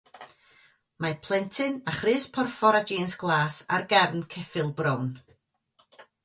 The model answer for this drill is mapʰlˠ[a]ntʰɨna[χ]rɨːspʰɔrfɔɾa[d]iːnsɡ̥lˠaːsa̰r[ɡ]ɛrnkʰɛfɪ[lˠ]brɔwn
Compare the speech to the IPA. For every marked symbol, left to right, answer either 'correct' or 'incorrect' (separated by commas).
incorrect, correct, incorrect, correct, correct